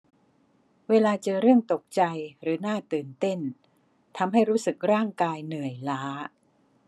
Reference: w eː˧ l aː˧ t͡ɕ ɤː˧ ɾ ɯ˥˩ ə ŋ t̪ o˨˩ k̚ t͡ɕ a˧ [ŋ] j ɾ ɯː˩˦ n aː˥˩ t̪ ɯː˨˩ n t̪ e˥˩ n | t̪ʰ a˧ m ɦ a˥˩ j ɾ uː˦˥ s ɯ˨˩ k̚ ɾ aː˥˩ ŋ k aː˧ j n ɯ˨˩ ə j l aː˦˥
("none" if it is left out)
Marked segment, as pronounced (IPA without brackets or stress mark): none